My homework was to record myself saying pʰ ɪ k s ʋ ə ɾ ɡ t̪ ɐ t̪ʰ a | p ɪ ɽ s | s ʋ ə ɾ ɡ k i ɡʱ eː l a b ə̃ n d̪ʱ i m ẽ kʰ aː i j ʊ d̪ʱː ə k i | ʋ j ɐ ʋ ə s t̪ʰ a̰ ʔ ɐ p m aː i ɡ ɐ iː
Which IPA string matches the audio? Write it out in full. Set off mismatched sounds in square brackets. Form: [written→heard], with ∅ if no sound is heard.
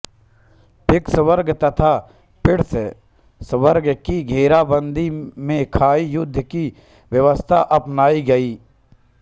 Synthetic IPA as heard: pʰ ɪ k s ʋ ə ɾ ɡ t̪ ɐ t̪ʰ a | p ɪ ɽ s | s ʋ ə ɾ ɡ k i ɡʱ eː [l→ɾ] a b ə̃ n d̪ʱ i m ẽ kʰ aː i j ʊ d̪ʱː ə k i | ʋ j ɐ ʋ ə s t̪ʰ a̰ ʔ ɐ p [m→n] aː i ɡ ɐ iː